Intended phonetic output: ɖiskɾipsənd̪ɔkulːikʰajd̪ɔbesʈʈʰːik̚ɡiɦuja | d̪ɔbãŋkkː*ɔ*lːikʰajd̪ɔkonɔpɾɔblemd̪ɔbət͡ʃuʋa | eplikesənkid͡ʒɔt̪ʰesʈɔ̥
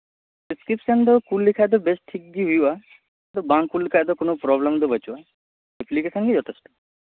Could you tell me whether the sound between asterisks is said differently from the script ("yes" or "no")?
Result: yes